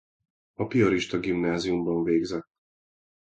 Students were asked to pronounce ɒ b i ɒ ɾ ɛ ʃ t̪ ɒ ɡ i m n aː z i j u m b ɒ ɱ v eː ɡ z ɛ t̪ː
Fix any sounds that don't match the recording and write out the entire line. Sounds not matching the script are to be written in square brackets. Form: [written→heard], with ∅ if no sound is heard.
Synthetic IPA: ɒ [b→p] i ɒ ɾ [ɛ→i] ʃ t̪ ɒ ɡ i m n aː z i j u m b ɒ ɱ v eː ɡ z ɛ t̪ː